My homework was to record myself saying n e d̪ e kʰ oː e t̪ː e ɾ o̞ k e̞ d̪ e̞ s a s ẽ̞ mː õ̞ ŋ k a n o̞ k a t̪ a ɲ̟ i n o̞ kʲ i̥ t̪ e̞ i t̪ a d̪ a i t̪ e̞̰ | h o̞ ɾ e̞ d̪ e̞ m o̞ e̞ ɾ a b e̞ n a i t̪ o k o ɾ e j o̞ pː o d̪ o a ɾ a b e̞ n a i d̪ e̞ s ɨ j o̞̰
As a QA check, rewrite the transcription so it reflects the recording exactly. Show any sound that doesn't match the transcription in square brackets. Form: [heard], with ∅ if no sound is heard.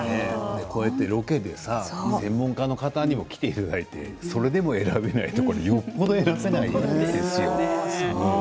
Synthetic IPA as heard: n e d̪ e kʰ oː e t̪ː e ɾ o̞ k e̞ d̪ e̞ s a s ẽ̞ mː õ̞ ŋ k a n o̞ k a t̪ a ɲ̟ i [m] o̞ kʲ i̥ t̪ e̞ i t̪ a d̪ a i t̪ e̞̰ | [s] o̞ ɾ e̞ d̪ e̞ m o̞ e̞ ɾ a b e̞ n a i t̪ o k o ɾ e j o̞ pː o d̪ o [e] ɾ a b e̞ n a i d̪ e̞ s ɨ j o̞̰